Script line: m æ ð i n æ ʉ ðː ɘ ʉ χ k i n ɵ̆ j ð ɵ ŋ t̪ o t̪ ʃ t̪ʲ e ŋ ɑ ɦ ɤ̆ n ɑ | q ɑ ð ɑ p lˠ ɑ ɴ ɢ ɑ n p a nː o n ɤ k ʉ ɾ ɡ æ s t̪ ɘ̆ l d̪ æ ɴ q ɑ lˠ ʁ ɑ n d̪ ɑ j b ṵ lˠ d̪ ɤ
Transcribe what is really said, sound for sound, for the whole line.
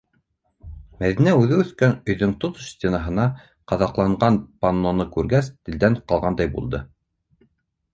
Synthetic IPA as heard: m æ ð i n æ ʉ ð ɘ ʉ θ k æ n ɵ̆ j ð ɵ ŋ t̪ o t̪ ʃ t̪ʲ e n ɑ ɦ ɤ̆ n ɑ | q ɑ ð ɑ q lˠ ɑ ɴ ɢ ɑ n p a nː o n ɤ k ʉ ɾ ɡ æ s t̪ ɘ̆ l d̪ æ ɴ q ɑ lˠ ʁ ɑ n d̪ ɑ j b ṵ lˠ d̪ ɤ